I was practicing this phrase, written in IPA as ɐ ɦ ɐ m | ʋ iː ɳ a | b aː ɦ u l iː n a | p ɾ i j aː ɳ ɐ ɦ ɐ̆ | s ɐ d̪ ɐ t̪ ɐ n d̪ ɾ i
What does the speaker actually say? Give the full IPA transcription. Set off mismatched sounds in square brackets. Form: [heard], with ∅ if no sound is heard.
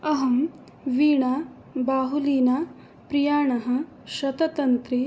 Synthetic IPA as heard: ɐ ɦ ɐ m | ʋ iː ɳ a | b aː ɦ u l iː n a | p ɾ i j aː ɳ ɐ ɦ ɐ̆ | [ʃ] ɐ [t̪] ɐ t̪ ɐ n [t̪] ɾ i